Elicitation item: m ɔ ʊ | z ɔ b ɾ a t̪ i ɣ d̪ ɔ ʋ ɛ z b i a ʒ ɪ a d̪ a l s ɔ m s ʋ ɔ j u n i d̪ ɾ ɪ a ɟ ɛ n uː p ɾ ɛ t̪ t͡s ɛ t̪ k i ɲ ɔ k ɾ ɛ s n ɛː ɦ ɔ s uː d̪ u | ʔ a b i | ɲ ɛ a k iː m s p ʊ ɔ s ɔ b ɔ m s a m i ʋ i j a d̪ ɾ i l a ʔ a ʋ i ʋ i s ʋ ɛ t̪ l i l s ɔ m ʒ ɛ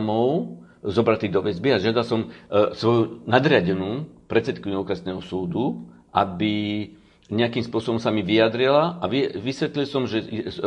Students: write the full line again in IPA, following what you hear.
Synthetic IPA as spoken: m ɔ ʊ | z ɔ b ɾ a t̪ i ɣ d̪ ɔ ʋ ɛ z b i a ʒ ɪ a d̪ a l s ɔ m s ʋ ɔ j u n a d̪ ɾ ɪ a ɟ ɛ n uː p ɾ ɛ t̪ t͡s ɛ t̪ k i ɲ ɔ k ɾ ɛ s n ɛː ɦ ɔ s uː d̪ u | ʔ a b i | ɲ ɛ a k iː m s p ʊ ɔ s ɔ b ɔ m s a m i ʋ i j a d̪ ɾ i l a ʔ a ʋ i ʋ i s ʋ ɛ t̪ l i l s ɔ m ʒ ɛ